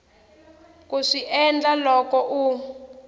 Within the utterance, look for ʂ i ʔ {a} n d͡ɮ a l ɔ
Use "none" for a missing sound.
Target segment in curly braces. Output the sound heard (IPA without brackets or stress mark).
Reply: ɛ